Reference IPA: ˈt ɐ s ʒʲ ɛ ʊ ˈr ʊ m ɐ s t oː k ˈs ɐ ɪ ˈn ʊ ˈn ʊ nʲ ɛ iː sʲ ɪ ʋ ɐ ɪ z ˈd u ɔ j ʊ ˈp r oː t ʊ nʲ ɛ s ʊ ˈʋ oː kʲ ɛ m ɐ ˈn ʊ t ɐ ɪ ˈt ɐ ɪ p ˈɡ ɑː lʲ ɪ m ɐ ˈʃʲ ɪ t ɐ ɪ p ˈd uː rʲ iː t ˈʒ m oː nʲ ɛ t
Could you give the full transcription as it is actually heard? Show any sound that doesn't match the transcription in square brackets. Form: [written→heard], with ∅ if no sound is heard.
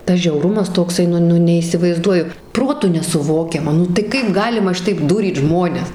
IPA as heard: ˈt ɐ s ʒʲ ɛ ʊ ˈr ʊ m ɐ s t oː k ˈs ɐ ɪ ˈn ʊ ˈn ʊ nʲ ɛ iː sʲ ɪ ʋ ɐ ɪ z ˈd u ɔ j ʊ ˈp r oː t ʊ nʲ ɛ s ʊ ˈʋ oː kʲ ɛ m ɐ ˈn ʊ t ɐ ɪ [ˈt→ˈk] ɐ ɪ p ˈɡ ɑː lʲ ɪ m ɐ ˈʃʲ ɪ t ɐ ɪ p ˈd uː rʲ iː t ˈʒ m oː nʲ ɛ [t→s]